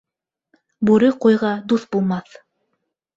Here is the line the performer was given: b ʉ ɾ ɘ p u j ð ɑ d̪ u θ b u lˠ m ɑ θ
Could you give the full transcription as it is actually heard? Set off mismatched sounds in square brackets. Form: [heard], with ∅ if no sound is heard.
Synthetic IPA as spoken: b ʉ ɾ ɘ [q] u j [ʁ] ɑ d̪ u θ b u lˠ m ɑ θ